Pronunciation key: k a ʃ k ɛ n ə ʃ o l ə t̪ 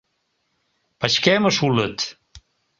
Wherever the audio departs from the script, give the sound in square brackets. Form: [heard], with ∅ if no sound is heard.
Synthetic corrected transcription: [p] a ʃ k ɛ [m] ə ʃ [u] l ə t̪